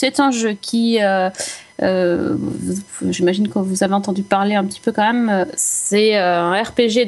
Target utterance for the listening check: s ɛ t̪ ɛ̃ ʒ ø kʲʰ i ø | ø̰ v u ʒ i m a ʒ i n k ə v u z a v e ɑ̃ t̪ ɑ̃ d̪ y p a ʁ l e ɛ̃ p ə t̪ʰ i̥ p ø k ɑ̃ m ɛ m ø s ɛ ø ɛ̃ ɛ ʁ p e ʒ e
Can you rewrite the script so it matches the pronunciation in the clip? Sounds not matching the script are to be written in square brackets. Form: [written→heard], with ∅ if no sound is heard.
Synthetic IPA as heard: s ɛ t̪ ɛ̃ ʒ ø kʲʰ i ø | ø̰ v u ʒ i m a ʒ i n k ə v u z a v e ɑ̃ t̪ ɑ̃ d̪ y p a ʁ l e ɛ̃ p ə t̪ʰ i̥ p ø k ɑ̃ m ɛ m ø s ɛ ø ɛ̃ ɛ ʁ p e ʒ e